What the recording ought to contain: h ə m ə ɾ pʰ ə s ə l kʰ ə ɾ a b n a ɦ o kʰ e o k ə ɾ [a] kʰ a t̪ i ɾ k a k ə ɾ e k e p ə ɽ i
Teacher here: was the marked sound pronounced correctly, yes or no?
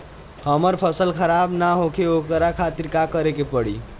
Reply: yes